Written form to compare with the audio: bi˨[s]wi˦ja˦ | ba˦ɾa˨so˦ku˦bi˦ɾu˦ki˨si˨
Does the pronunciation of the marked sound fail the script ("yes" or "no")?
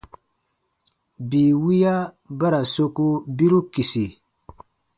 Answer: yes